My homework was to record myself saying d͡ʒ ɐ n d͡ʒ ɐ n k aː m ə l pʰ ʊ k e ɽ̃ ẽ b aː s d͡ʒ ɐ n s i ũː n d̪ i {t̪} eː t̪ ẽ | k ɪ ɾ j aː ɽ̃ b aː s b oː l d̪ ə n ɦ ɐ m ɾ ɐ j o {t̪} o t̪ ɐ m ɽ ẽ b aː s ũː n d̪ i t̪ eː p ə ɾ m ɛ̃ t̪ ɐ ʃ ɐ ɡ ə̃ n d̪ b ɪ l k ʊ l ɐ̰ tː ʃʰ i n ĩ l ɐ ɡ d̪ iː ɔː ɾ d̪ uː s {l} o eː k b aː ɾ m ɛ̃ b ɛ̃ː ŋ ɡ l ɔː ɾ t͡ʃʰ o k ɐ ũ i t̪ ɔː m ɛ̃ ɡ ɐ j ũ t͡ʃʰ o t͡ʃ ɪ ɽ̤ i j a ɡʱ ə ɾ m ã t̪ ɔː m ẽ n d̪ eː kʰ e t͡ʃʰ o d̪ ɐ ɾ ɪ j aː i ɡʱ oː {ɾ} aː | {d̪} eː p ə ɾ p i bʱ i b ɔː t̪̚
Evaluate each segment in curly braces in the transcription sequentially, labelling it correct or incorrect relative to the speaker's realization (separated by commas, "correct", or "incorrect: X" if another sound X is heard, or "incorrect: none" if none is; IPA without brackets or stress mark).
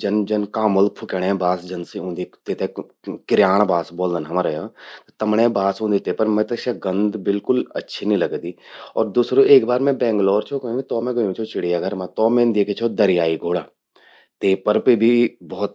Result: correct, correct, incorrect: ɾ, incorrect: ɽ, incorrect: t̪